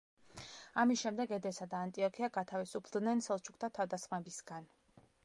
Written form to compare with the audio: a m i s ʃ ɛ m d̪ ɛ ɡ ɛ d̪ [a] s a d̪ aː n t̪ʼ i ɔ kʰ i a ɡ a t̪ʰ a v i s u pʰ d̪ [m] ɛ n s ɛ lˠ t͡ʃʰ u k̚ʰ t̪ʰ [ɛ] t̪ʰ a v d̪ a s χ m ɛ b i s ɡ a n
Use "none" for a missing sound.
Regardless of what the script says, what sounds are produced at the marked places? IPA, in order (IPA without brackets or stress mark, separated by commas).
ɛ, n, a